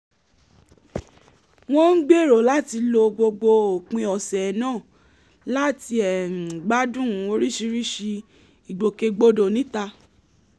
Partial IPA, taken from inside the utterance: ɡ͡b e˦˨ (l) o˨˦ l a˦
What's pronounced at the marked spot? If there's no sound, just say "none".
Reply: ɾ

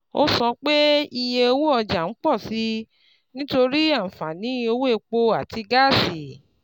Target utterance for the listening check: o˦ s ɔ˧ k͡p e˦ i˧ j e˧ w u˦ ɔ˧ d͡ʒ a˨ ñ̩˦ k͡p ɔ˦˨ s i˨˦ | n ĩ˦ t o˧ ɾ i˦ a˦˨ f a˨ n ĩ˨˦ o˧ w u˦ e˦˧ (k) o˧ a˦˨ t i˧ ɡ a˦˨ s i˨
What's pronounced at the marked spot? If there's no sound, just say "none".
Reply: k͡p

